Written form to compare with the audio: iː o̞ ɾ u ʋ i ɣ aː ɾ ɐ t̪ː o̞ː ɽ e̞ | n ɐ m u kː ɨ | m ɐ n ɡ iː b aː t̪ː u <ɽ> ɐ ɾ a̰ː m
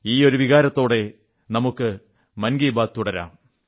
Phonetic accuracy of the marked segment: correct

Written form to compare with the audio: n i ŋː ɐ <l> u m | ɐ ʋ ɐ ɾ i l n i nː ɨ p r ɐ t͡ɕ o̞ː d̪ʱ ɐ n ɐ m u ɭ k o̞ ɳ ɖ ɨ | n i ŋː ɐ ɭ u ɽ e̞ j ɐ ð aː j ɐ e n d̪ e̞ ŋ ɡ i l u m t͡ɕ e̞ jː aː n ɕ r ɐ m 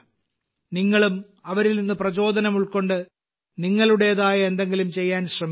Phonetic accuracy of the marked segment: incorrect: ɭ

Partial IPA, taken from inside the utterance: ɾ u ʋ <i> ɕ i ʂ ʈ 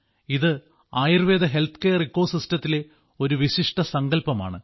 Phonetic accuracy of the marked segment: correct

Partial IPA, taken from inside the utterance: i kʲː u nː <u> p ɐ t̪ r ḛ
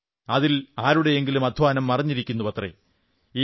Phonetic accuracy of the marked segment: correct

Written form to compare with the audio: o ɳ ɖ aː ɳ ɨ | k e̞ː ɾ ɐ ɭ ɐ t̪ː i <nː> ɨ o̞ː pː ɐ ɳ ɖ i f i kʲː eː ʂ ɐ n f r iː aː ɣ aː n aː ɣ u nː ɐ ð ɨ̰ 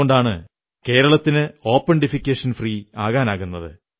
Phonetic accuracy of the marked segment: incorrect: n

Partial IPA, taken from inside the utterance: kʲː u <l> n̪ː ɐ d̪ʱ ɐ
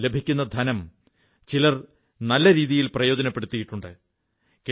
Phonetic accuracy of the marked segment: incorrect: none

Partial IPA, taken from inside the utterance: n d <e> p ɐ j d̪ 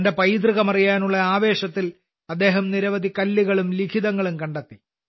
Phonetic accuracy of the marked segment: correct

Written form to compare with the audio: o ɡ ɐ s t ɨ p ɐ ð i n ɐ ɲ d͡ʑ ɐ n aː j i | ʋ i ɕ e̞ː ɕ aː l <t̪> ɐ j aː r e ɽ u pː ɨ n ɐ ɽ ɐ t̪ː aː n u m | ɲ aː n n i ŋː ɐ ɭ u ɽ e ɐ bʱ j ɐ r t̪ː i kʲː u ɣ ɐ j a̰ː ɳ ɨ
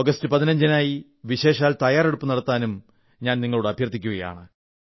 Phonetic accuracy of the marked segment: correct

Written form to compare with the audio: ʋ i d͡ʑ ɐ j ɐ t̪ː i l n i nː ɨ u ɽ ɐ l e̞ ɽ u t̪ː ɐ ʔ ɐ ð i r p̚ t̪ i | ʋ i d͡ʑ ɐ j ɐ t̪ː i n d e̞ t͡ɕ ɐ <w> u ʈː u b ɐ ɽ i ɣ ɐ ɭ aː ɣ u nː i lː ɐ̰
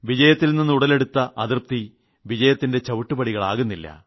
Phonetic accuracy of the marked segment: incorrect: ʋ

